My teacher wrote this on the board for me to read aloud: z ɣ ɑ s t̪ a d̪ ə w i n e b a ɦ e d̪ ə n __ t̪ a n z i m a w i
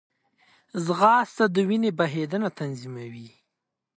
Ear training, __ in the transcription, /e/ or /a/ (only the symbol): a